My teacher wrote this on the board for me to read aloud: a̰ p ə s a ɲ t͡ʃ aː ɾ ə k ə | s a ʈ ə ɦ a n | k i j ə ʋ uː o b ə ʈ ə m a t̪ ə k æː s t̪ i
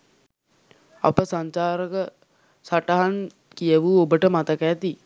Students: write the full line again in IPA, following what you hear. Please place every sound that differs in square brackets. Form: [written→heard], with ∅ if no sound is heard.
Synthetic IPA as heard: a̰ p ə s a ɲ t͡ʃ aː ɾ ə k ə | s a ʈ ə ɦ a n | k i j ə ʋ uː o b ə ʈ ə m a t̪ ə k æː [s→∅] t̪ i